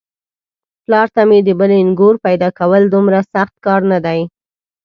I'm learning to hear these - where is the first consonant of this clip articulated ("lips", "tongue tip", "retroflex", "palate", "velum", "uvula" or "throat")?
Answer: lips